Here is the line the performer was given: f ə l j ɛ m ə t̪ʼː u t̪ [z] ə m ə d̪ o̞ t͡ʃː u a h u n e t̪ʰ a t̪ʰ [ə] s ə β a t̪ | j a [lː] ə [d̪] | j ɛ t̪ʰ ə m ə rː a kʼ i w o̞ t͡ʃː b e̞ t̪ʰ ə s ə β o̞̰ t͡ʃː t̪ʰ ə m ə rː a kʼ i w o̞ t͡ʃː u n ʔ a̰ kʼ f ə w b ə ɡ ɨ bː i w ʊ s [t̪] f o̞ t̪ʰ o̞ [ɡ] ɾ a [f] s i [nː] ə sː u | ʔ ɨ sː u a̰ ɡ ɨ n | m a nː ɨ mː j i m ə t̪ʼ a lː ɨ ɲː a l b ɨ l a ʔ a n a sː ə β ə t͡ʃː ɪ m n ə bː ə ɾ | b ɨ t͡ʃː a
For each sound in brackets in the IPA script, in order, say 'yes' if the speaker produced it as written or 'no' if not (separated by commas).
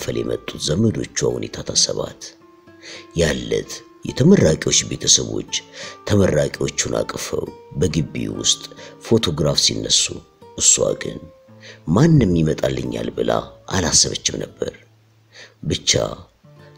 yes, no, yes, no, no, yes, yes, yes